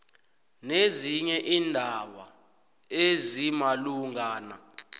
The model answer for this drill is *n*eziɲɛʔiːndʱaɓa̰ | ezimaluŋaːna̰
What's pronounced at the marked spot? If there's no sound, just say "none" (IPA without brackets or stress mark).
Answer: n